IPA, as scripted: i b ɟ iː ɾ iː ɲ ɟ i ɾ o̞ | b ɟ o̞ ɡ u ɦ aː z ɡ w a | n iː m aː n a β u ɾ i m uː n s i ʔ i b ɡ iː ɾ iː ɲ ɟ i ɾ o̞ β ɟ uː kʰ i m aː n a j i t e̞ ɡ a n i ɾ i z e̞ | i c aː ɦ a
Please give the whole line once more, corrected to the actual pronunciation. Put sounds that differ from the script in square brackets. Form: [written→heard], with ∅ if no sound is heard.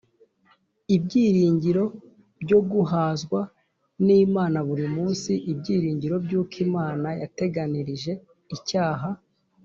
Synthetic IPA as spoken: i b ɟ iː ɾ iː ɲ ɟ i ɾ o̞ | b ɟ o̞ ɡ u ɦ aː z ɡ w a | n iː m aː n a β u ɾ i m uː n s i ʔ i b [ɡ→ɟ] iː ɾ iː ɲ ɟ i ɾ o̞ [β→b] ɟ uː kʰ i m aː n a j [i→a] t e̞ ɡ a n i ɾ i [z→ʒ] e̞ | i c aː ɦ a